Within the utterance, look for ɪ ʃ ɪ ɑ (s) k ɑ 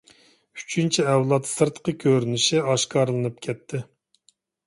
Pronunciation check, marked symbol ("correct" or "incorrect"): incorrect